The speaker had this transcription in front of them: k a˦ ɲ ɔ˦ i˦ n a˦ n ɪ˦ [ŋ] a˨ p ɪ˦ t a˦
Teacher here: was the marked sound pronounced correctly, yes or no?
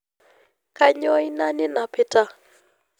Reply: no